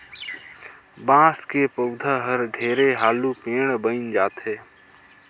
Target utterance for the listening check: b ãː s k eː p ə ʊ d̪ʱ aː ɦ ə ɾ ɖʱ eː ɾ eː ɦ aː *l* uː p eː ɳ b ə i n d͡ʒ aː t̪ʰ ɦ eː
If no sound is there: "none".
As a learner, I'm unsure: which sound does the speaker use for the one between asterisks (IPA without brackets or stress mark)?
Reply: l